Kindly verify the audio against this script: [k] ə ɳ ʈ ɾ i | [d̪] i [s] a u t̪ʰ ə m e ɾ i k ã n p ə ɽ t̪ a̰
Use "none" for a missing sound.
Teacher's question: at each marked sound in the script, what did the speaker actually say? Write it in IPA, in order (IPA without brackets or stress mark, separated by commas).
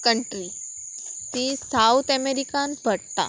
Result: k, t̪, s